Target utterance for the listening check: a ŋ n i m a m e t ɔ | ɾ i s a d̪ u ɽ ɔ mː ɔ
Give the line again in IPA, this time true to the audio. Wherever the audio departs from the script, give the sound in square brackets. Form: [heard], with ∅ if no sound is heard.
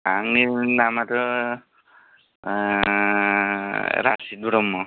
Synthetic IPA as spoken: a ŋ n i [n] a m [a] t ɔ | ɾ [a] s [i] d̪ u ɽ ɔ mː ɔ